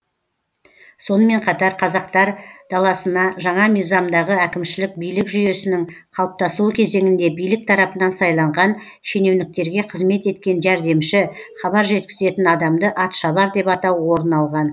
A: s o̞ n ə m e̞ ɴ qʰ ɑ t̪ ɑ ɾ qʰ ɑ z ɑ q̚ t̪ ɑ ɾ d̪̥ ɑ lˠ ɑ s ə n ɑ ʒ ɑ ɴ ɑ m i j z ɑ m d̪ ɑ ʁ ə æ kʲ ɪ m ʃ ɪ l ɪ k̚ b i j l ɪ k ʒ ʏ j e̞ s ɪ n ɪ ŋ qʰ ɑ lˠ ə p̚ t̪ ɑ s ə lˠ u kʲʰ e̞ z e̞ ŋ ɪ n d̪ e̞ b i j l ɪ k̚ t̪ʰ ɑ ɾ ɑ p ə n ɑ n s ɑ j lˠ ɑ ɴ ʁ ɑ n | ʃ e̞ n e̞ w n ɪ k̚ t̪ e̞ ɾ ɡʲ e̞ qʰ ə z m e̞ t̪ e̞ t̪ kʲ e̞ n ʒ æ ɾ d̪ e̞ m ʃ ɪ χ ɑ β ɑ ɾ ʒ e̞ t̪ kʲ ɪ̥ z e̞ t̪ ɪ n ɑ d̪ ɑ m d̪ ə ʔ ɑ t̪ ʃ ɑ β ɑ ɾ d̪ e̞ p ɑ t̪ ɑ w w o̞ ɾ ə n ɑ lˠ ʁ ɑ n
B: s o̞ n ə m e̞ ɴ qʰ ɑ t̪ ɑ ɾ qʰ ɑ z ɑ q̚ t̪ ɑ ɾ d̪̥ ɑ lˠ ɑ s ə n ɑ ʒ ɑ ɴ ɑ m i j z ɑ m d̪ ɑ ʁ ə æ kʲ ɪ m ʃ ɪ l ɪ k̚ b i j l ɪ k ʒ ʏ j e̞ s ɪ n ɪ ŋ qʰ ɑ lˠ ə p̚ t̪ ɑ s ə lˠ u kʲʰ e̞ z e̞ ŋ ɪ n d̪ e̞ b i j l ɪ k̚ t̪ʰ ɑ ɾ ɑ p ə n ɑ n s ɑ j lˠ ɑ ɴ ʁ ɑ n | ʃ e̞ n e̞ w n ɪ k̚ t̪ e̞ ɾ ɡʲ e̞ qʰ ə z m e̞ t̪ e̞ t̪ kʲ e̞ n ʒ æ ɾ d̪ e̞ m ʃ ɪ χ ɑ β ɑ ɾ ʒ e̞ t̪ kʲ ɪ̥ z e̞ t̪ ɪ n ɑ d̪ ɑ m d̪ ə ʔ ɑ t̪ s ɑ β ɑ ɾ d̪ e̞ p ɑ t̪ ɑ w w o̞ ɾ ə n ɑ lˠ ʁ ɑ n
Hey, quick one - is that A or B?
A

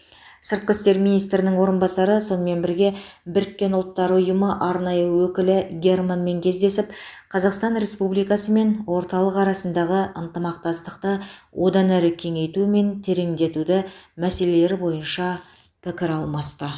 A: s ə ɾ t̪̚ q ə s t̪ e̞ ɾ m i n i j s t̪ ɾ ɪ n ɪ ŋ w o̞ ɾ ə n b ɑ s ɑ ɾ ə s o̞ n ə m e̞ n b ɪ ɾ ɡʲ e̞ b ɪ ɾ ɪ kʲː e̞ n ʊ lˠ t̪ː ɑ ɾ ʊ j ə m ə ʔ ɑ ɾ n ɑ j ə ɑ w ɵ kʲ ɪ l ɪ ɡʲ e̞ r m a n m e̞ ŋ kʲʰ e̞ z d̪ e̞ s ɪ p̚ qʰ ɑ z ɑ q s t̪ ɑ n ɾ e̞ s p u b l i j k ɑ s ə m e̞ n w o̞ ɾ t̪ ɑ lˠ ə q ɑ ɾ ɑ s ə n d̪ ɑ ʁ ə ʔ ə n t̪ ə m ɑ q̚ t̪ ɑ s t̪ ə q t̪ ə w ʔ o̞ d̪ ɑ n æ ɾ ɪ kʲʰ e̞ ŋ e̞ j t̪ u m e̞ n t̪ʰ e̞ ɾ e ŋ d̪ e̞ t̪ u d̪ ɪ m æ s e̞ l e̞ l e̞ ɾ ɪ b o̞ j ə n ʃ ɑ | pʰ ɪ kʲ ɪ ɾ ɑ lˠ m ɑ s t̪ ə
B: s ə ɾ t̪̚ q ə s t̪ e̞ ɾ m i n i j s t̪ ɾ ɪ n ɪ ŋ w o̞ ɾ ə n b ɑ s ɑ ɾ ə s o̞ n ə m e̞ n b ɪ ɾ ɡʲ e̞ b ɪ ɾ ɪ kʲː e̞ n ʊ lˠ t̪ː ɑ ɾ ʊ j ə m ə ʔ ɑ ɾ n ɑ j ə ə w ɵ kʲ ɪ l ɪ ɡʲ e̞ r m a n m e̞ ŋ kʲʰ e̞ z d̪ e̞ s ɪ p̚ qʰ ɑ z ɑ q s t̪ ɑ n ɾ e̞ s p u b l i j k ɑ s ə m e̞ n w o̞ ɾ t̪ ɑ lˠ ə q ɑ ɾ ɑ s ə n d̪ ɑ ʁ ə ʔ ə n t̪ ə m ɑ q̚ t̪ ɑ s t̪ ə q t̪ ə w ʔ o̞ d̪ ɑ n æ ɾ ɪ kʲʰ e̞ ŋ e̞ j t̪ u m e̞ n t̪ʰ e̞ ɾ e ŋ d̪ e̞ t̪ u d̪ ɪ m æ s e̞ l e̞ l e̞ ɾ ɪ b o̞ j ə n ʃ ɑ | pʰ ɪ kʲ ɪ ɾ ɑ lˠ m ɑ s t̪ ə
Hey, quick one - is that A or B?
B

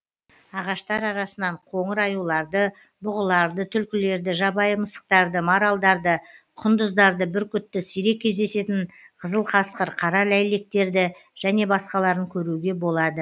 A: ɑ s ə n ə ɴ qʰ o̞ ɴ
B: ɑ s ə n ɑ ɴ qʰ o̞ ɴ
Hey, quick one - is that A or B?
B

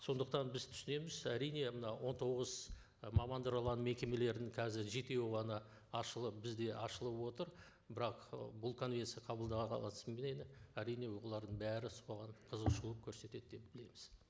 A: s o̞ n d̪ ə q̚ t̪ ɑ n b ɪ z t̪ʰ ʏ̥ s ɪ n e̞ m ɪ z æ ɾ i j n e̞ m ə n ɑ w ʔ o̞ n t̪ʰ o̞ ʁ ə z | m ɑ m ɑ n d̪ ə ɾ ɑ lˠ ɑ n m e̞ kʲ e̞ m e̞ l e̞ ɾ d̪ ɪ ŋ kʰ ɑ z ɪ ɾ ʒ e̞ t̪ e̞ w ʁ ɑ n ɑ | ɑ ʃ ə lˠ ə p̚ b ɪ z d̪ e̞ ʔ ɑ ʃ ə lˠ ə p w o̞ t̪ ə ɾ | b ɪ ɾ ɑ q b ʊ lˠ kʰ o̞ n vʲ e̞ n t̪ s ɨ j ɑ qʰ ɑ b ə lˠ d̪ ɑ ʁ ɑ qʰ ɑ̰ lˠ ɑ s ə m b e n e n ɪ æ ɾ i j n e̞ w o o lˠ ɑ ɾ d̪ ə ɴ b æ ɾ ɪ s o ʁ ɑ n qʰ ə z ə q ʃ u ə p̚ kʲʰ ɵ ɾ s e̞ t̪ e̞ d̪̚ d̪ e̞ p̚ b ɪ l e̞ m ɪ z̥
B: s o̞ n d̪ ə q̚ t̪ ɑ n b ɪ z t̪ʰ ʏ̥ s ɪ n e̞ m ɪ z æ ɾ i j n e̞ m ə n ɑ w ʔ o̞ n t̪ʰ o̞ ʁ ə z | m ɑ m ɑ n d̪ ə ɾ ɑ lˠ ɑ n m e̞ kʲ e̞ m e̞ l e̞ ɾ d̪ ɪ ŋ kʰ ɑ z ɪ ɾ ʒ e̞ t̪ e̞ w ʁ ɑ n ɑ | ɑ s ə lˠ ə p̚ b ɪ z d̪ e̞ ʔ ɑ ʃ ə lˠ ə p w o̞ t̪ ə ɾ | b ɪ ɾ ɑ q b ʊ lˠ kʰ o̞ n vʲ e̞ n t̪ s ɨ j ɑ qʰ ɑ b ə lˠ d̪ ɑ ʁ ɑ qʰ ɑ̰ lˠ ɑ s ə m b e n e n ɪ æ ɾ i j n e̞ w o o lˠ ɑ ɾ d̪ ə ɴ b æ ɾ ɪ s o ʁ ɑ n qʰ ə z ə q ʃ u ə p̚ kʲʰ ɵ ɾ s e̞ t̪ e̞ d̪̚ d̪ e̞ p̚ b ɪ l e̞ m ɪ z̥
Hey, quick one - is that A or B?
A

